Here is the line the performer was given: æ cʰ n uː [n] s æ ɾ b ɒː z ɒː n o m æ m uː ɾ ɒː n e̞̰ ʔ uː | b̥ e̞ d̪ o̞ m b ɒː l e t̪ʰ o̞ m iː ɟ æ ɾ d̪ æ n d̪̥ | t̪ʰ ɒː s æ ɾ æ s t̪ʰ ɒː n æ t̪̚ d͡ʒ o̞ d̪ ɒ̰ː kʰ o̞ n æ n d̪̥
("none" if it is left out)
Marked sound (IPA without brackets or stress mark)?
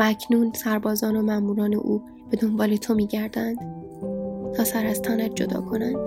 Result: n